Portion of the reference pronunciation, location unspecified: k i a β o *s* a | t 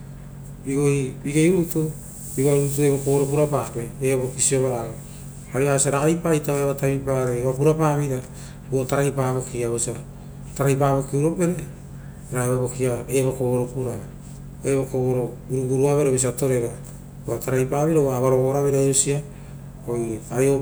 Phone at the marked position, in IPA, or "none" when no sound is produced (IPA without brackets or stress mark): s